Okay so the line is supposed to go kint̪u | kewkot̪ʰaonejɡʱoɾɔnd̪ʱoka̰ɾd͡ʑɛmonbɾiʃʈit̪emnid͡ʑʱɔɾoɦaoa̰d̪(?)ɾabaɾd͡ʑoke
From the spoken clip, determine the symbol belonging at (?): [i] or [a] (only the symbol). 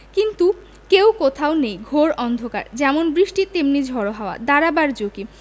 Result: a